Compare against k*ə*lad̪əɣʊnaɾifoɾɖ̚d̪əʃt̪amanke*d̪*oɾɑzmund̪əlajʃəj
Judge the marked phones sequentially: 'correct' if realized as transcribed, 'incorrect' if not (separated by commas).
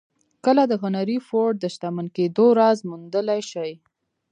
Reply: correct, correct